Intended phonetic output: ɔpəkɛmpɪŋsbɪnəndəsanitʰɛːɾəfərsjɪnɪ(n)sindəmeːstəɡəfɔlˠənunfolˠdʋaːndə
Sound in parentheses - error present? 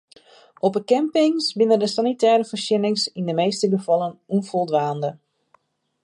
yes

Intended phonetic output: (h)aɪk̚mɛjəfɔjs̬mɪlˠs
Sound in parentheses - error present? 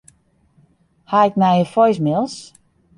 no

